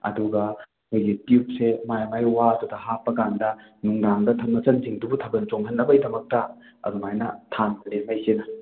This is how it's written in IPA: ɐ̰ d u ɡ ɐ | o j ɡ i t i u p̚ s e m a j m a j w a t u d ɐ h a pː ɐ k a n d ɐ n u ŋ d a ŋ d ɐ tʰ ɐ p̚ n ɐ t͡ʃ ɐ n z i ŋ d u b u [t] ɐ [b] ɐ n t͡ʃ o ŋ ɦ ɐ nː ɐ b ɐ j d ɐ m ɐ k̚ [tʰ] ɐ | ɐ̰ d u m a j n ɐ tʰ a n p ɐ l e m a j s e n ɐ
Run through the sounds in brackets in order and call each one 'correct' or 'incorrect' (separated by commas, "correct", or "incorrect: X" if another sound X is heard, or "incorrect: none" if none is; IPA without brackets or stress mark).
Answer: incorrect: tʰ, correct, incorrect: t